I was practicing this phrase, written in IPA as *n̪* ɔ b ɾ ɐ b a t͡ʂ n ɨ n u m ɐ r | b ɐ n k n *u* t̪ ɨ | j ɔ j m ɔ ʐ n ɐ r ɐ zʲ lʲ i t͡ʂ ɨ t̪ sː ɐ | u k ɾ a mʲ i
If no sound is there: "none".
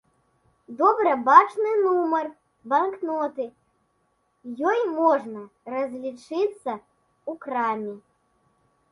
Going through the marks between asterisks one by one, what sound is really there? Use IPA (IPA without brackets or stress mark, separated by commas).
d̪, ɔ